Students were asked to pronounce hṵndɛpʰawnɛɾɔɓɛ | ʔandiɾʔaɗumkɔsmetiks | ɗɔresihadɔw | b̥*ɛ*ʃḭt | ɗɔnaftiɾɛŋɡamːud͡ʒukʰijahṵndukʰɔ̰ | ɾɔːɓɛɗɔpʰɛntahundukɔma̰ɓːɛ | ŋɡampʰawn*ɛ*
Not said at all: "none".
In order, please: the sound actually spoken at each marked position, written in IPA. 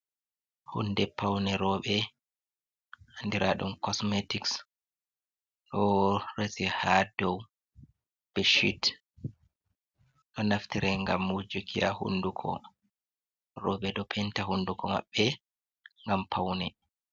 ɛ, ɛ

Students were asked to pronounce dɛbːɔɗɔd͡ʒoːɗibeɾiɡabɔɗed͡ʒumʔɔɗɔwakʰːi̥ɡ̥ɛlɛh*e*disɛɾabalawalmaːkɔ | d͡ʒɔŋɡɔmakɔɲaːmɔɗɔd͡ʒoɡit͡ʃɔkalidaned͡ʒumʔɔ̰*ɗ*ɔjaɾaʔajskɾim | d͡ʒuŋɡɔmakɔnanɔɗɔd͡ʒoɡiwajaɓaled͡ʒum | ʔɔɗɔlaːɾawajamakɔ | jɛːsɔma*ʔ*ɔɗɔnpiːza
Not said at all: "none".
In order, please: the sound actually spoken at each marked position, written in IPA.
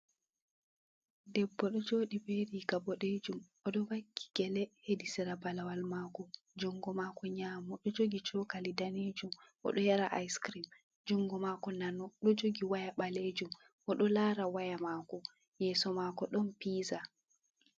e, ɗ, k

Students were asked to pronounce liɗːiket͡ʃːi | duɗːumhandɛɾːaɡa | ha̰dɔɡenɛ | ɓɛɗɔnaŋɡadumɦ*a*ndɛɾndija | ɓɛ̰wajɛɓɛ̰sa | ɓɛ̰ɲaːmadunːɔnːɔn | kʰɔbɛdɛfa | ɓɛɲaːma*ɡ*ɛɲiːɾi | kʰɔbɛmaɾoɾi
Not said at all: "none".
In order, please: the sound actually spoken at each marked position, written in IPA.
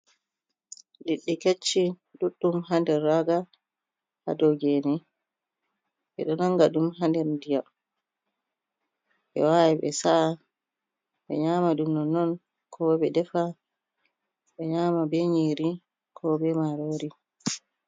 a, b

